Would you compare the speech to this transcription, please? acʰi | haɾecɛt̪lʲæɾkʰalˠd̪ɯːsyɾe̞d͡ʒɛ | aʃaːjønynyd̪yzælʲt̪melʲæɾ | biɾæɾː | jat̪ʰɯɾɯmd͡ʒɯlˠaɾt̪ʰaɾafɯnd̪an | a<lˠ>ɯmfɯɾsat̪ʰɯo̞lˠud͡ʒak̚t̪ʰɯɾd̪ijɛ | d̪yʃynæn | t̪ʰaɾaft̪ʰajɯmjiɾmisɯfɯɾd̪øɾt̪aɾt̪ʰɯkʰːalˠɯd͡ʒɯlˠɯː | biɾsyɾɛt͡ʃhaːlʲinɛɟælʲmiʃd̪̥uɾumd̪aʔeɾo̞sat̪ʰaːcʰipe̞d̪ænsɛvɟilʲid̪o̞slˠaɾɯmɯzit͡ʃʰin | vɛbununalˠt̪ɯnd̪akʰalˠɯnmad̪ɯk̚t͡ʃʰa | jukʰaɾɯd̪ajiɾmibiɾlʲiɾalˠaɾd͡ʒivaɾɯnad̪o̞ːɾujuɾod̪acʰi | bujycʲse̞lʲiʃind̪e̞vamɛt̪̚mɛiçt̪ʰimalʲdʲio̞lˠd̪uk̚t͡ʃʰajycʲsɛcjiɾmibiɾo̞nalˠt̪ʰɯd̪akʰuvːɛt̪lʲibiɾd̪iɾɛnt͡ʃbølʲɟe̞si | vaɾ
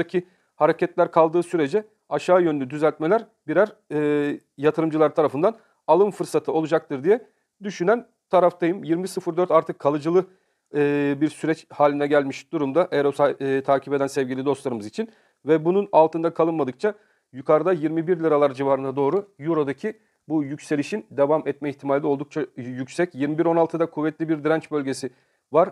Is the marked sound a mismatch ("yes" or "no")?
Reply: no